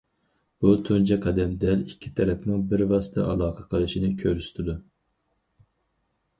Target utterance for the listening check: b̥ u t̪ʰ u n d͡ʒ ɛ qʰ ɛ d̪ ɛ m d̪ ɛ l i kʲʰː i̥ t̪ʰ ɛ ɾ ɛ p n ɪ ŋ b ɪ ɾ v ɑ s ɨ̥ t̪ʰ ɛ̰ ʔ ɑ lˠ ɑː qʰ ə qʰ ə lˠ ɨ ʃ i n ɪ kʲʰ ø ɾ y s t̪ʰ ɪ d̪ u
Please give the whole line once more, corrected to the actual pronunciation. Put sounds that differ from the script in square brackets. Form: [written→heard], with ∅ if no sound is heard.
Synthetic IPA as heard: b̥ u t̪ʰ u n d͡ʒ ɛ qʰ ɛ d̪ ɛ m d̪ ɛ l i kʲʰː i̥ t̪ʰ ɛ ɾ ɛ p n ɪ ŋ b ɪ ɾ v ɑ s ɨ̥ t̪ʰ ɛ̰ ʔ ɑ lˠ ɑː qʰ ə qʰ ə lˠ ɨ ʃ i n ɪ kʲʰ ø ɾ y s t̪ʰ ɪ d̪ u